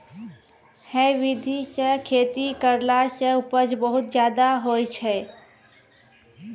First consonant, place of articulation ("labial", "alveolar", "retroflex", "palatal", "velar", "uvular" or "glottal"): glottal